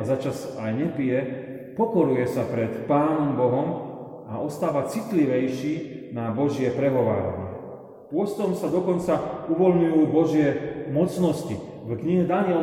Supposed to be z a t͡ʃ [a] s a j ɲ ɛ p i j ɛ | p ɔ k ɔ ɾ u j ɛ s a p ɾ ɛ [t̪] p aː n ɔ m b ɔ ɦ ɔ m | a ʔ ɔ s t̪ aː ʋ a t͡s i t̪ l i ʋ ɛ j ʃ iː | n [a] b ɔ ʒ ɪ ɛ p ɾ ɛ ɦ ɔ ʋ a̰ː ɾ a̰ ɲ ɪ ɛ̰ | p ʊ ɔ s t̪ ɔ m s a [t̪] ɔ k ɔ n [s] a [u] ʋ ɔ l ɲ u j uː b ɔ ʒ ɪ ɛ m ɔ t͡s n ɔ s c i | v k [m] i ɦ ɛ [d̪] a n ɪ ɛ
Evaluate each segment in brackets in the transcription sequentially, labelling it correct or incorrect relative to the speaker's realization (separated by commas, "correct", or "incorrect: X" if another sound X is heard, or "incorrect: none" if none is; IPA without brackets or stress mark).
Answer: correct, correct, correct, incorrect: d̪, incorrect: t͡s, correct, incorrect: ɲ, correct